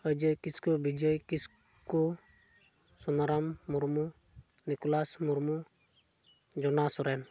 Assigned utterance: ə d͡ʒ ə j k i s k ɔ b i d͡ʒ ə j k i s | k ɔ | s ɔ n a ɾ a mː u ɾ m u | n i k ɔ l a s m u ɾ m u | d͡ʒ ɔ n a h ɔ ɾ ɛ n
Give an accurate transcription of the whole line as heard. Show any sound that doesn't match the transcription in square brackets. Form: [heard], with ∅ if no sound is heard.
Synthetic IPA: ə d͡ʒ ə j k i s k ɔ b i d͡ʒ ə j k i s | k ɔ | s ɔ n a ɾ a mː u ɾ m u | n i k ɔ l a s m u ɾ m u | d͡ʒ ɔ n a [s] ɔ ɾ ɛ n